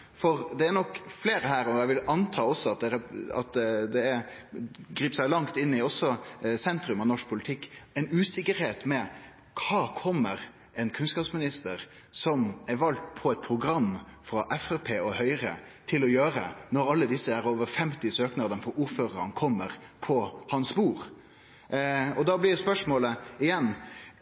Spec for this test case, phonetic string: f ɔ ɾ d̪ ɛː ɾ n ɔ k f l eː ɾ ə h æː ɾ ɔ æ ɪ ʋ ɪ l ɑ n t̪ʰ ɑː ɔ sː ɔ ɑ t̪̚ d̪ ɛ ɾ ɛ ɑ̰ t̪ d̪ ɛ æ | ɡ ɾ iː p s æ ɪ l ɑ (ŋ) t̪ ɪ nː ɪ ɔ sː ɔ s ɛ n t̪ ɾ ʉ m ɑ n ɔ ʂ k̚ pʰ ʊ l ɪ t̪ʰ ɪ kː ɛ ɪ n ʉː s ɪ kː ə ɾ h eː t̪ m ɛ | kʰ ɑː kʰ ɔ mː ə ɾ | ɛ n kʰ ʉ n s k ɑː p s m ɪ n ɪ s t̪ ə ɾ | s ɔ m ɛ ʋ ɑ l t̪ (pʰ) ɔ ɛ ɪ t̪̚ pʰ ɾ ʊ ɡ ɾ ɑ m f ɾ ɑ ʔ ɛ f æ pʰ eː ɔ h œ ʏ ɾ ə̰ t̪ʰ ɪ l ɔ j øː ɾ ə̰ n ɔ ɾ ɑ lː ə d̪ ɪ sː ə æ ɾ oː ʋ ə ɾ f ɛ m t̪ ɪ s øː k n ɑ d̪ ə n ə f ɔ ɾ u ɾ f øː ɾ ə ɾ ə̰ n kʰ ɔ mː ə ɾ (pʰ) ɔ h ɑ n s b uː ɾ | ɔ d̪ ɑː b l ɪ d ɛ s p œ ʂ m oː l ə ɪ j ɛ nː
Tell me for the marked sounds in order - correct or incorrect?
correct, correct, correct

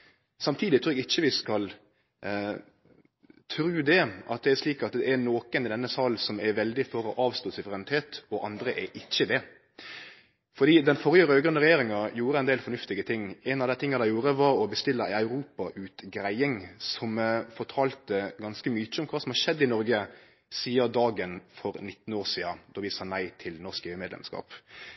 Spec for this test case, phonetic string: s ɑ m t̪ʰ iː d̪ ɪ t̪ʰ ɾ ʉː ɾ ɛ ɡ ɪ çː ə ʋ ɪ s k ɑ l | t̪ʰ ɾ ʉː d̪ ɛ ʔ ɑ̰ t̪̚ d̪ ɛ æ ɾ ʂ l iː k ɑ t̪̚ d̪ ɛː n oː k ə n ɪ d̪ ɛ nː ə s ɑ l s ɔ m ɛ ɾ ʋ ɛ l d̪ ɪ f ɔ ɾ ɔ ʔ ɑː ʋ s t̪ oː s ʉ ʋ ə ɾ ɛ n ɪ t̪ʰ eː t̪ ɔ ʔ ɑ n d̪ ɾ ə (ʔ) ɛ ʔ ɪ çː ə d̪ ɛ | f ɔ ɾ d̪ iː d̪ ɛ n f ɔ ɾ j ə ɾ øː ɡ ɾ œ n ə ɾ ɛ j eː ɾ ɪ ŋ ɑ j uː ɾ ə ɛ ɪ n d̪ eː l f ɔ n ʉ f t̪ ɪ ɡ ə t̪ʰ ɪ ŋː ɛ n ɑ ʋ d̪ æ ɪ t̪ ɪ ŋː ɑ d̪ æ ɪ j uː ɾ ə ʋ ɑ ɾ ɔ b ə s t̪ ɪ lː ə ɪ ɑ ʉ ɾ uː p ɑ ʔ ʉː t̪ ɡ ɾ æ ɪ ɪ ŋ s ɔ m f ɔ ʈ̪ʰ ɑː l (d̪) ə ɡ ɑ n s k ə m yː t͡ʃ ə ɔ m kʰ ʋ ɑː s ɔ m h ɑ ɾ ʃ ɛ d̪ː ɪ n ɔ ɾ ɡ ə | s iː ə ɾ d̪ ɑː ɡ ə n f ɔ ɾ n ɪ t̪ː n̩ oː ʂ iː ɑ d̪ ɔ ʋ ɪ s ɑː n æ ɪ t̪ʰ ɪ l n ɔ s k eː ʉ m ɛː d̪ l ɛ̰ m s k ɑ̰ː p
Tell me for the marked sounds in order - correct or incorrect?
correct, incorrect: t̪

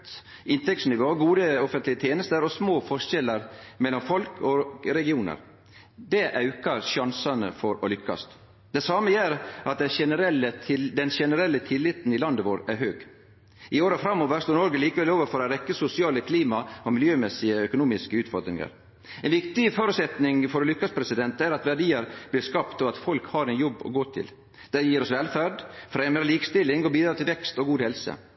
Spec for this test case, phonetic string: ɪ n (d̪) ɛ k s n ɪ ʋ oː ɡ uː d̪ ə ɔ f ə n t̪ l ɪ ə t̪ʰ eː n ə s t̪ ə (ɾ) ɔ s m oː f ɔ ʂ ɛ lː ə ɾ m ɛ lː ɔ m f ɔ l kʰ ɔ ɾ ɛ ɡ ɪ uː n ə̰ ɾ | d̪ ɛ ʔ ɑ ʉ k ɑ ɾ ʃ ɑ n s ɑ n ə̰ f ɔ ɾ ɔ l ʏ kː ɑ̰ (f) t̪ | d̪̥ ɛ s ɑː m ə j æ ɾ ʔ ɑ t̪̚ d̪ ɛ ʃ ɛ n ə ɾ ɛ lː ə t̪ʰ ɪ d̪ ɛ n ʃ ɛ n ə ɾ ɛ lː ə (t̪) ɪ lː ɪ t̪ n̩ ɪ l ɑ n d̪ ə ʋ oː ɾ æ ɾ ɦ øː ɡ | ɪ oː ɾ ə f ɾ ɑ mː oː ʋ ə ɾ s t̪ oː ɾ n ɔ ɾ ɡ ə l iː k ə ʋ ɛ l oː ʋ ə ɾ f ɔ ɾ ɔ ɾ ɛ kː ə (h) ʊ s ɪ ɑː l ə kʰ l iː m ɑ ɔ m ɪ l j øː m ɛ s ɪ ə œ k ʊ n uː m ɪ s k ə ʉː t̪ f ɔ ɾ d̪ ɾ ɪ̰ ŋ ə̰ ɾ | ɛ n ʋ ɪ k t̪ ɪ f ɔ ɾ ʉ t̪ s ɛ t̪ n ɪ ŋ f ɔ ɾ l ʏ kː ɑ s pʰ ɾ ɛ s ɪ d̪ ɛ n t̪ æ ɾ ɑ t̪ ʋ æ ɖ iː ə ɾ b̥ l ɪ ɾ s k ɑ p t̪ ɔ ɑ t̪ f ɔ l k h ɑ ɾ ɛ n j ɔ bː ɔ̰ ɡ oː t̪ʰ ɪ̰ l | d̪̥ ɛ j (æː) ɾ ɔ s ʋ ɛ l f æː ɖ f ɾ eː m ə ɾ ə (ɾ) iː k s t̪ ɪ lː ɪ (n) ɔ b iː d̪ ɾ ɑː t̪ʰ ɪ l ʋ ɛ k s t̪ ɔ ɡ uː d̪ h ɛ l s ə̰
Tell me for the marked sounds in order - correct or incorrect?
incorrect: t̪, correct, incorrect: s, incorrect: t̪ʰ, incorrect: s, incorrect: iː, incorrect: l, incorrect: ŋ

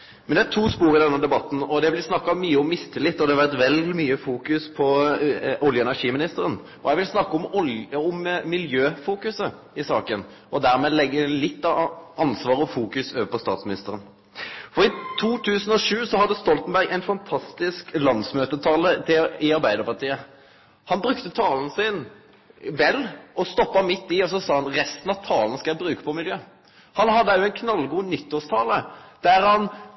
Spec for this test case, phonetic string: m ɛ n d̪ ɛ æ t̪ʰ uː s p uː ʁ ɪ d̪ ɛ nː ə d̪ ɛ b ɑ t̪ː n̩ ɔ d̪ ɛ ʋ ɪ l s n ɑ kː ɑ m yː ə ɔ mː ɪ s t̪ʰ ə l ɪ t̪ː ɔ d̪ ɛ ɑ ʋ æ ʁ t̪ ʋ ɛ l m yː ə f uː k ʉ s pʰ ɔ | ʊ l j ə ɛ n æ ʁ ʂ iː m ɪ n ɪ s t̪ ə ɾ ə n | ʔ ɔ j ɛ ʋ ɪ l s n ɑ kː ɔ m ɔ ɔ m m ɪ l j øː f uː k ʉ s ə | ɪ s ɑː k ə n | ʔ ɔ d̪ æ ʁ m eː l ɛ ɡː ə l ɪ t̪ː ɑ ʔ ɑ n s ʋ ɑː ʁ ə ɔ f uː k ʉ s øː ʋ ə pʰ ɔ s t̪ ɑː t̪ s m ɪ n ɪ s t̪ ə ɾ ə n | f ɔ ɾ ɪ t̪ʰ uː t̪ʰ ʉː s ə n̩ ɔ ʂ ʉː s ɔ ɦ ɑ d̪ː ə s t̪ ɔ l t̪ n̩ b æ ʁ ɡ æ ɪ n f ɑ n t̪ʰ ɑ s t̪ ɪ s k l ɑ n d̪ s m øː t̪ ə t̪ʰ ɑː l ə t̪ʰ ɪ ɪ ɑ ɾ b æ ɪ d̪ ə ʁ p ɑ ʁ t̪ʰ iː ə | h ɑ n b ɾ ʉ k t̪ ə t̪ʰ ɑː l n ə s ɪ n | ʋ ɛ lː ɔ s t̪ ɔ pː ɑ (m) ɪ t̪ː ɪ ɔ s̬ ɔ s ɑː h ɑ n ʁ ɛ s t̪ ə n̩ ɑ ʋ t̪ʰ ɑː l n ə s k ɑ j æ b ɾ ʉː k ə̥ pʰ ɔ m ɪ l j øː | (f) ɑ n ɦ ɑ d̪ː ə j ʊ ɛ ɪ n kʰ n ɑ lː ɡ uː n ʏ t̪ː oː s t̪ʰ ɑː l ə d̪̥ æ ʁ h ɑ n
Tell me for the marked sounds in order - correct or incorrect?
correct, incorrect: h

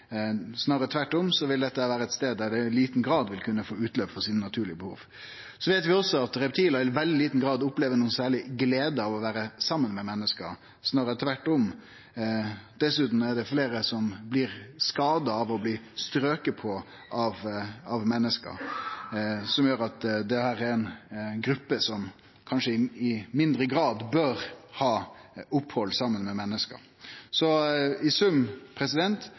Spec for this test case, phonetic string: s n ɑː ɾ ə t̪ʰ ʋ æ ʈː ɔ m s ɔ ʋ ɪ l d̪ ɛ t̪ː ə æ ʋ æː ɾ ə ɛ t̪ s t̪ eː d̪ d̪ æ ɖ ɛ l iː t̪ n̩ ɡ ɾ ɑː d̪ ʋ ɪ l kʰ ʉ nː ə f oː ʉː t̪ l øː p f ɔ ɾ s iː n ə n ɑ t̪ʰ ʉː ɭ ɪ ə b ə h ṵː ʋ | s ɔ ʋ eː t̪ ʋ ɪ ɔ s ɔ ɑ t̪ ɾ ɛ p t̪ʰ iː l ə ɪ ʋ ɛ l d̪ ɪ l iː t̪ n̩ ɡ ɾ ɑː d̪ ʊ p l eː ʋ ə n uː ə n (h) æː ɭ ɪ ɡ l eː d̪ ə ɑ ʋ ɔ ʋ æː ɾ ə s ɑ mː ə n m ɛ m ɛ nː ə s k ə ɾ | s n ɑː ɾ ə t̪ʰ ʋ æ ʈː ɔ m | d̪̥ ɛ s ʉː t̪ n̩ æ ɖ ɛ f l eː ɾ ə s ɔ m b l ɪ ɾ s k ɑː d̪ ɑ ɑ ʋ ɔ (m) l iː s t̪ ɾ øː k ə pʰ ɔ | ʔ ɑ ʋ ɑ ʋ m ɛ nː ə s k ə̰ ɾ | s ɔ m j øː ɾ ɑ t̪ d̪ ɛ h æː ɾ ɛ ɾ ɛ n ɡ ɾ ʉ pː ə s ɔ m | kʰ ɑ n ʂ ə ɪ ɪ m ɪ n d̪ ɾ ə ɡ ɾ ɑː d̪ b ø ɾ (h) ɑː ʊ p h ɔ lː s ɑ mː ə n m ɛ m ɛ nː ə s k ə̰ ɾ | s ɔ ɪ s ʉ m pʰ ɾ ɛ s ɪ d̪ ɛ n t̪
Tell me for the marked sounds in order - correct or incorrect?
incorrect: s, incorrect: b, correct

